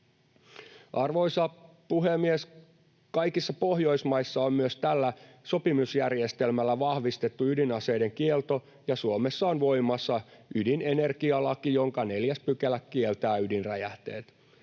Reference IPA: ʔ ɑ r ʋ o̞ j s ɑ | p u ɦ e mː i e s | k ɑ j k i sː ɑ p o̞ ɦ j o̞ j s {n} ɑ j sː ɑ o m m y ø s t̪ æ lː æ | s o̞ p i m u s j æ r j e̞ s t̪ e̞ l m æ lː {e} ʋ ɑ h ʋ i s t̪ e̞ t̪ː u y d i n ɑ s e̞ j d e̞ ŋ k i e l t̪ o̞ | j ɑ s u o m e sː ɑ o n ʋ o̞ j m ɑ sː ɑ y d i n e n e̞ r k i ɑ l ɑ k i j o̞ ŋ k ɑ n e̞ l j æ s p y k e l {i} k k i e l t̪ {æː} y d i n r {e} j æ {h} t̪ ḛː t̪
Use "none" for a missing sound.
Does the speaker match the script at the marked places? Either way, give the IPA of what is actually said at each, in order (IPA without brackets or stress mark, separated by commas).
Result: m, æ, æ, æː, æ, h